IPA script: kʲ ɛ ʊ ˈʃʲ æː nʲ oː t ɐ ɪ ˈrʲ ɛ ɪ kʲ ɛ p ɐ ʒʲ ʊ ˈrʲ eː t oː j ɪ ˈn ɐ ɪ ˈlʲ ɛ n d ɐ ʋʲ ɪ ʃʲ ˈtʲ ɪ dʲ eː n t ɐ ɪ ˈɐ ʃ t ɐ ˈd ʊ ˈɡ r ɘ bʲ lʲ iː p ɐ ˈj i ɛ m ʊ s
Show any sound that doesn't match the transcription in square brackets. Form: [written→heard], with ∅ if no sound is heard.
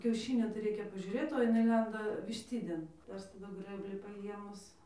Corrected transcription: kʲ ɛ ʊ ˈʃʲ [æː→iː] nʲ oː t ɐ ɪ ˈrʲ ɛ ɪ kʲ ɛ p ɐ ʒʲ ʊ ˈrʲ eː t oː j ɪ ˈn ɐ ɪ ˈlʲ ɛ n d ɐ ʋʲ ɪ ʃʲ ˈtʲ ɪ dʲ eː n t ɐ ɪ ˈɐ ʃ t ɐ ˈd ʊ ˈɡ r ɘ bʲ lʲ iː p ɐ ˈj i ɛ m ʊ s